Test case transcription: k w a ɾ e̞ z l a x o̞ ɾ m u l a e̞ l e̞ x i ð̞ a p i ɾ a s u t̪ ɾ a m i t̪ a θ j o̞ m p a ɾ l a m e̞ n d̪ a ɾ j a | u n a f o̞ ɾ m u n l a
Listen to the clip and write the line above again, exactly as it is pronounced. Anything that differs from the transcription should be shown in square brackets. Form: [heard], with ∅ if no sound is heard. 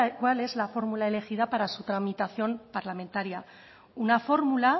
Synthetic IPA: k w a [l] e̞ z l a [f] o̞ ɾ m u l a e̞ l e̞ x i ð̞ a p [a] ɾ a s u t̪ ɾ a m i t̪ a θ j o̞ m p a ɾ l a m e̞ n [t̪] a ɾ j a | u n a f o̞ ɾ m u [∅] l a